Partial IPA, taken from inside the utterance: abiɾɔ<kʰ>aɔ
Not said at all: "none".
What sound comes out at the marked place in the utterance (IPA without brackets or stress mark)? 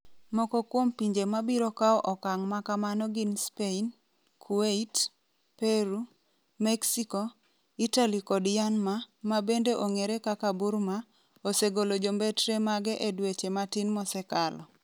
k